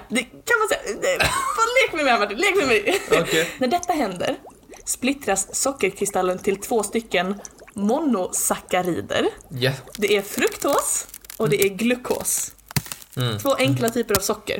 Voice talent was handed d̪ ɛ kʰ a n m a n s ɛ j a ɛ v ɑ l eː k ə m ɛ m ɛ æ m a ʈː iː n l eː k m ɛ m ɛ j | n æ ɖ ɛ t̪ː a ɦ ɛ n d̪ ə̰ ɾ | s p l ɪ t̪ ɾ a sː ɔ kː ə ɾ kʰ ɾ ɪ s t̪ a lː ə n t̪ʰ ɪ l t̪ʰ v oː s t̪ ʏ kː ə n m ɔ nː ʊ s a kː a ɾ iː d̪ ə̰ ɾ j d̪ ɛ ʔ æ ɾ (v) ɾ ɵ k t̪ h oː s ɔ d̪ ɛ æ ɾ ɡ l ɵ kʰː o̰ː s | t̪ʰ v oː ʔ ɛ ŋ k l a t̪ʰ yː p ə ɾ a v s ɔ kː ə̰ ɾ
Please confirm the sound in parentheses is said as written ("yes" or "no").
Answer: no